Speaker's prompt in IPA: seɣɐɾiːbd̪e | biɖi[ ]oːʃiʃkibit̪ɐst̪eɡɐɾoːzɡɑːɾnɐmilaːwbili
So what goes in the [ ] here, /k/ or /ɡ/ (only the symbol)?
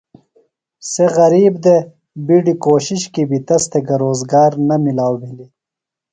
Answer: k